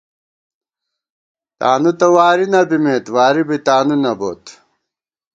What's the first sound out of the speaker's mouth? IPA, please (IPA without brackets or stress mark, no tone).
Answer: t̪